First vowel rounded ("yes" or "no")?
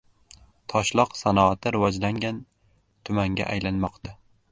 yes